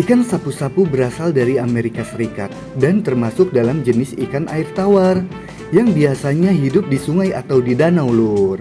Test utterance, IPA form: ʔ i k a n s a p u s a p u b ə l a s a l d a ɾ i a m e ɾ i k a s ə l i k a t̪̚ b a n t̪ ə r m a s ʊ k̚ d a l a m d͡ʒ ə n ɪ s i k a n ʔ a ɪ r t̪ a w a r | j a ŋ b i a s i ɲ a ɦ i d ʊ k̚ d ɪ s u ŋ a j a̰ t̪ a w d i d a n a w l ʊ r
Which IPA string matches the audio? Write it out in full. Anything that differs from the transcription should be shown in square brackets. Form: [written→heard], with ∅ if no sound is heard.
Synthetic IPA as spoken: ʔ i k a n s a p u s a p u b ə [l→ɾ] a s a l d a ɾ i a m e ɾ i k a s ə [l→ɾ] i k a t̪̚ [b→d] a n t̪ ə r m a s ʊ k̚ d a l a m d͡ʒ ə n ɪ s i k a n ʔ a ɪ r t̪ a w a r | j a ŋ b i a s [i→a] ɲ a ɦ i d ʊ [k̚→p̚] d [ɪ→i] s u ŋ a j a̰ t̪ a w d i d a n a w l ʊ r